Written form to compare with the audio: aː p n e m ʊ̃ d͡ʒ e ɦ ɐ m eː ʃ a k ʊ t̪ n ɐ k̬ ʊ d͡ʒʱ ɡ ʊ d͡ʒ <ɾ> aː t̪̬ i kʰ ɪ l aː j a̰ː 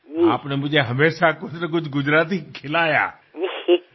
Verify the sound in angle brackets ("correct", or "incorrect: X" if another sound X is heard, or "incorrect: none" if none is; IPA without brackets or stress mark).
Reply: correct